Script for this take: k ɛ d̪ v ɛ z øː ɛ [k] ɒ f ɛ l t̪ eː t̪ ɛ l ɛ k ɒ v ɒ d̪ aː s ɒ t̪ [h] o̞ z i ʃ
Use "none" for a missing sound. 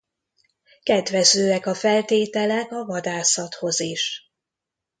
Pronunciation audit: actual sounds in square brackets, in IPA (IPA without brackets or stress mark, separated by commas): k, h